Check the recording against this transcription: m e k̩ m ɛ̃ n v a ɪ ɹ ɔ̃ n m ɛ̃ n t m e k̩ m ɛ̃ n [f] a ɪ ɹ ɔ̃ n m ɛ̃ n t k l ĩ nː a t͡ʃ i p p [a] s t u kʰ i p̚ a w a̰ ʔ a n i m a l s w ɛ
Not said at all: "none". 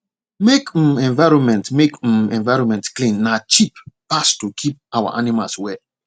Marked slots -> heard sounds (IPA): v, a

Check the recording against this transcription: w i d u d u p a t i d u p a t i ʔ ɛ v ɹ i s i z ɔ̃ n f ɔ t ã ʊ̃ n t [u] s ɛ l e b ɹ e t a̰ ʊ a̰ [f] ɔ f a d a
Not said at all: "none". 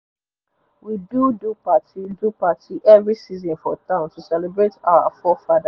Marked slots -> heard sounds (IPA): u, f

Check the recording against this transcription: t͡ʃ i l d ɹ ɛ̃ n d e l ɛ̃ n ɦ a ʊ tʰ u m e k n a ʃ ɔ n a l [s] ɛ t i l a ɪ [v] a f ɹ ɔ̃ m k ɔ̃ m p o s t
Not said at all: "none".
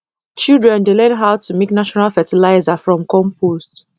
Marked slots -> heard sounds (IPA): f, z

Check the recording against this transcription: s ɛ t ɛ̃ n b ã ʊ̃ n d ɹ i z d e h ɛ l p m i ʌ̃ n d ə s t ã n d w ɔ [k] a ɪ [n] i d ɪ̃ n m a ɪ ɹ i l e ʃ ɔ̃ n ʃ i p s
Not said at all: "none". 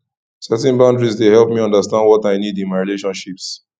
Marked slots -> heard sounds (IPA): t, n

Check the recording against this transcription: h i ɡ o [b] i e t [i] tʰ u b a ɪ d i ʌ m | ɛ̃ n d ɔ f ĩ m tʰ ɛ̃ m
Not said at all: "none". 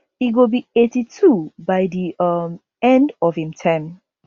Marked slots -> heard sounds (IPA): b, i

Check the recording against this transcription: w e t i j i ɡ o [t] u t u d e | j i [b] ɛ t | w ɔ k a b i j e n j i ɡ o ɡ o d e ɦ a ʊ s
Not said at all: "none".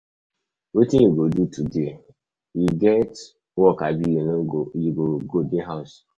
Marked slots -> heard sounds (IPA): d, ɡ

